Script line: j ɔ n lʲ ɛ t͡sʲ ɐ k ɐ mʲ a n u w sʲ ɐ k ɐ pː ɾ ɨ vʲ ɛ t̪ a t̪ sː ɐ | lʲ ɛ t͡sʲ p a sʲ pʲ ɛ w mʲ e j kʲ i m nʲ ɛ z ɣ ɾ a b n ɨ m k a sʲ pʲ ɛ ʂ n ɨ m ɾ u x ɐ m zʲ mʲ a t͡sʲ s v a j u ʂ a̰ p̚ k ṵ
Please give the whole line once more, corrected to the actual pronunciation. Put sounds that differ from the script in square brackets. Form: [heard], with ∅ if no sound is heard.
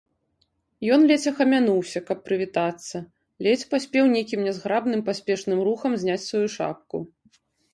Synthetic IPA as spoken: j ɔ n lʲ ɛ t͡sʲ ɐ [x] ɐ mʲ a n u w sʲ ɐ k ɐ pː ɾ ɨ vʲ [i] t̪ a t̪ sː ɐ | lʲ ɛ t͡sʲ p a sʲ pʲ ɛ w [nʲ] e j kʲ i m nʲ ɛ z ɣ ɾ a b n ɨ m [p] a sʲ pʲ ɛ ʂ n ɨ m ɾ u x ɐ m zʲ [nʲ] a t͡sʲ s v a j u ʂ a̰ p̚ k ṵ